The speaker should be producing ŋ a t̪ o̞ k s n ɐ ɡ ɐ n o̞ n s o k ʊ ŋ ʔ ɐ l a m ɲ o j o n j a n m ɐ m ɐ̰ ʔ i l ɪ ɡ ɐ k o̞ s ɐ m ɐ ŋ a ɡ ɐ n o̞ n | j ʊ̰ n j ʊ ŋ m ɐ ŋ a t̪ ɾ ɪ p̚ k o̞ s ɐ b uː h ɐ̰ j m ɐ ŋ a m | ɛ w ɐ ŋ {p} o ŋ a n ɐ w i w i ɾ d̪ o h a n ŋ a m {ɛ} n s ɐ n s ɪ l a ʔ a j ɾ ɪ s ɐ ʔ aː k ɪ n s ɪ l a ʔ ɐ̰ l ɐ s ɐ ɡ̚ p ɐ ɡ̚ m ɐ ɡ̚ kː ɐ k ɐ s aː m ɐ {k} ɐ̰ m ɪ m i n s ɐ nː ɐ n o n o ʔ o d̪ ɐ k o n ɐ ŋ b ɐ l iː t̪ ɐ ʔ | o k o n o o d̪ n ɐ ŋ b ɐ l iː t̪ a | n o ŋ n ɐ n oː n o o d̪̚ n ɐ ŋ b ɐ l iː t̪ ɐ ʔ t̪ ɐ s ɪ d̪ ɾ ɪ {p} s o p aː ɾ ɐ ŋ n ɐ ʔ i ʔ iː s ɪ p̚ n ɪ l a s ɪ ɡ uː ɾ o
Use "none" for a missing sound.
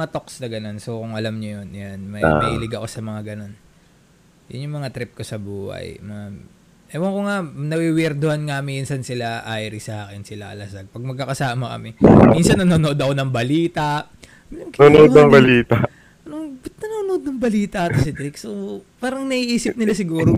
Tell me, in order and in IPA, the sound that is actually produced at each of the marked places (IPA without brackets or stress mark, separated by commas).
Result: k, i, k, k